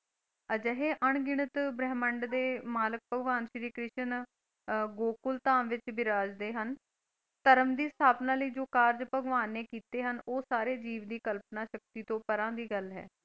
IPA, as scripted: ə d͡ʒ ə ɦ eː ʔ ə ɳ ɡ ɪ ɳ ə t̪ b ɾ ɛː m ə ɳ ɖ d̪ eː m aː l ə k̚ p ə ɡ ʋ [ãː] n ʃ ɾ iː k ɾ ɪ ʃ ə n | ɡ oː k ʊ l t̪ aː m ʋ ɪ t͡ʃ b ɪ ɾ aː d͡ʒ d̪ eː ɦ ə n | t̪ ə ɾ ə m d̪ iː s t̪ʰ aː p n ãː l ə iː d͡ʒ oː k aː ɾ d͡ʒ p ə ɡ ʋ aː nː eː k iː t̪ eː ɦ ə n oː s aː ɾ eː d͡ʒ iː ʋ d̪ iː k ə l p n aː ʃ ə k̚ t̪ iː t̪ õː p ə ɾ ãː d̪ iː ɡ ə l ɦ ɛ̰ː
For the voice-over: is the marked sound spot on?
no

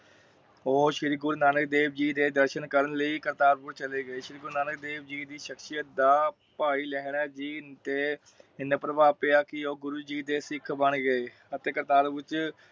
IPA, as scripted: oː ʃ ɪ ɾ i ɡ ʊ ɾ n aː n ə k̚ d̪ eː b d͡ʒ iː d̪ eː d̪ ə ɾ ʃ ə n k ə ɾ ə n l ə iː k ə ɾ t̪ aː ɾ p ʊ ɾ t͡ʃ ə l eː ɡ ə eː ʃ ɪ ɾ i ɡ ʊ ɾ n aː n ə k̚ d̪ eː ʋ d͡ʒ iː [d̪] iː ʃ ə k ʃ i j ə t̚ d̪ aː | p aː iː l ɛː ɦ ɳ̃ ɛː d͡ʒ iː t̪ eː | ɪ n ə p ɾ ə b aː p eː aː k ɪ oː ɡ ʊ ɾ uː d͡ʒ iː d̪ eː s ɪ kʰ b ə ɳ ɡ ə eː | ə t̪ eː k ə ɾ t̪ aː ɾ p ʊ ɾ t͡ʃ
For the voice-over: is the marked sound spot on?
yes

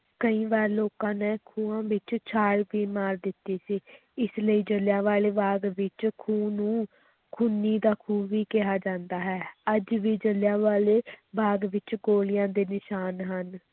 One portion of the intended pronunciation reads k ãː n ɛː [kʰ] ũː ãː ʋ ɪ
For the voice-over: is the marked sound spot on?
yes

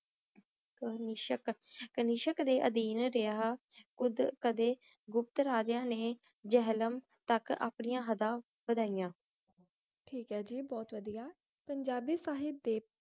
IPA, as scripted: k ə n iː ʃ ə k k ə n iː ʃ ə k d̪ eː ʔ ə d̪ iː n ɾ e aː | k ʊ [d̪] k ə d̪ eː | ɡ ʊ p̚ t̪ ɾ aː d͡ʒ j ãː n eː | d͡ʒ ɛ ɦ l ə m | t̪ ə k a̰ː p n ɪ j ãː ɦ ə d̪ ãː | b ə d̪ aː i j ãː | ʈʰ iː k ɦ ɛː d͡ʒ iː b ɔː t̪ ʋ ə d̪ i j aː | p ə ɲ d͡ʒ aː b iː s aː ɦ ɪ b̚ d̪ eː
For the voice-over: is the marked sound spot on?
yes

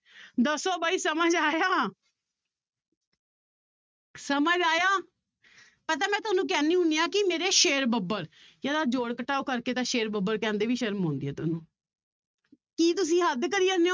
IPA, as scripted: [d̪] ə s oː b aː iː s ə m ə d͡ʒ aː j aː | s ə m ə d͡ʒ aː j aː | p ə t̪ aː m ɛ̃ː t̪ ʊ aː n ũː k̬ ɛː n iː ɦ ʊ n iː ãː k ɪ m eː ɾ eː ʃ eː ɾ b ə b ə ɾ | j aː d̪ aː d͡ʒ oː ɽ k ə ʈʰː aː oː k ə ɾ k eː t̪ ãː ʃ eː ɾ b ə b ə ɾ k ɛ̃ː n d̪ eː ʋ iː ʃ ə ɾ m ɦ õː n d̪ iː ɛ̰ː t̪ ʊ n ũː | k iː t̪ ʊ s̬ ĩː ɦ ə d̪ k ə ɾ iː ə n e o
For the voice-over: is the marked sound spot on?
yes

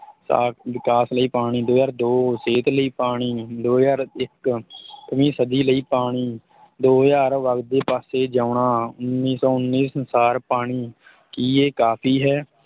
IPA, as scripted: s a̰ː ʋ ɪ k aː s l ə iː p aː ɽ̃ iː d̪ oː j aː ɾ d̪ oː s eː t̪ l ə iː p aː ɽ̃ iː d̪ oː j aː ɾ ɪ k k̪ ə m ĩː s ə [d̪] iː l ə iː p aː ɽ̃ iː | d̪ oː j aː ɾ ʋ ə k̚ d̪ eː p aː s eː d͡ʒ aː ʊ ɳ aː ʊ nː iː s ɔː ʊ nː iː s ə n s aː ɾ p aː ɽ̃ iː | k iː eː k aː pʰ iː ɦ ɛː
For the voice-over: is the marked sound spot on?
yes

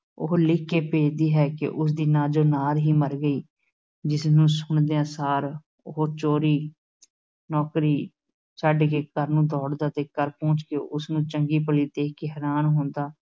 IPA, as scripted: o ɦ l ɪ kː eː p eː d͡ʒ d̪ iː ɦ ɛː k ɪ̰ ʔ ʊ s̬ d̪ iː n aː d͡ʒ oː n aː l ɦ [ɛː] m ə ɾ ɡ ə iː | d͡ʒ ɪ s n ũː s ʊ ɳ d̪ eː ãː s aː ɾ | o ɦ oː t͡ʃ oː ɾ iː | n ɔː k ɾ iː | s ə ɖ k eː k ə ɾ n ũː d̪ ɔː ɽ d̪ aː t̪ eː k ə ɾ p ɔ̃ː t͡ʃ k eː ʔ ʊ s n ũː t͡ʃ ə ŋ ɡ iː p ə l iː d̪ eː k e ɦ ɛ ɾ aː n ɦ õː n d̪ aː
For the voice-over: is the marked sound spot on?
no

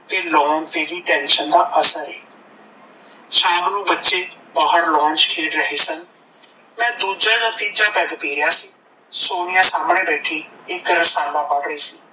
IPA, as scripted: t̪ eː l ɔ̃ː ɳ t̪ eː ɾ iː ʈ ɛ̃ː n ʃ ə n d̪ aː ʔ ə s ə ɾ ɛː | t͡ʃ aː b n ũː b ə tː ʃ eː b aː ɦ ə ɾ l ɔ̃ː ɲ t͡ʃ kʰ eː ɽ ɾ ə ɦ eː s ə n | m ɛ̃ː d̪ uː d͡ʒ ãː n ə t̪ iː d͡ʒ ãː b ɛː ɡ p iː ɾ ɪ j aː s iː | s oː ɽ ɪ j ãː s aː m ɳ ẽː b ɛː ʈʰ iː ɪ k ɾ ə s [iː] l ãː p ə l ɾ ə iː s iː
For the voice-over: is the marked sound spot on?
no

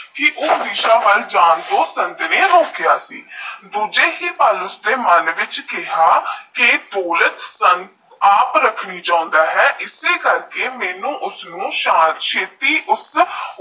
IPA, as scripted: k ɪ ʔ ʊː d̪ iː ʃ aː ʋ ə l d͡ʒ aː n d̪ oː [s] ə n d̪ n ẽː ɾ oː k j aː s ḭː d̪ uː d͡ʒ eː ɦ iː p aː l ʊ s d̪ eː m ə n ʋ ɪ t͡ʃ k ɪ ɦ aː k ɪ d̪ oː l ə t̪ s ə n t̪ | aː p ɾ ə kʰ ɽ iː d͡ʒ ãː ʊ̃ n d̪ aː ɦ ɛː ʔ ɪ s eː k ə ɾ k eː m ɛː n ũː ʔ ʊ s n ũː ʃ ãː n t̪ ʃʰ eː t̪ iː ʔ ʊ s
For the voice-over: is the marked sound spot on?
yes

